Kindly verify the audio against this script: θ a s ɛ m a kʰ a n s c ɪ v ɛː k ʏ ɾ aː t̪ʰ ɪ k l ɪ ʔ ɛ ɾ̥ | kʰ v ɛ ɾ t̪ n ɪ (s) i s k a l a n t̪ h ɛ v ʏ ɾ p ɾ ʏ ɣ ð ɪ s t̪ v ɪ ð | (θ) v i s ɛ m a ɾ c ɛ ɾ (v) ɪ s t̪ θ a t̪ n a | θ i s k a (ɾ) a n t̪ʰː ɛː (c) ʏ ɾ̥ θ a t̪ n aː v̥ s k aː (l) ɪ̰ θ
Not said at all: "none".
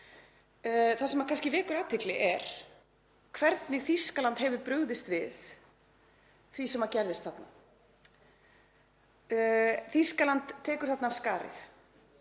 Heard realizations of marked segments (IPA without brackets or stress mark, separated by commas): θ, θ, ð, l, k, ɾ